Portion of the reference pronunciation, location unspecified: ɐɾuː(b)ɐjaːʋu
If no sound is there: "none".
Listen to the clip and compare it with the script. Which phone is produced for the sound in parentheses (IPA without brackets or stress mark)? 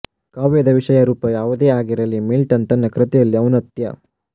p